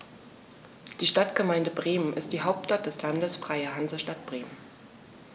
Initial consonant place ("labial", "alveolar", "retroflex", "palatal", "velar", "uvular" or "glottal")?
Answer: alveolar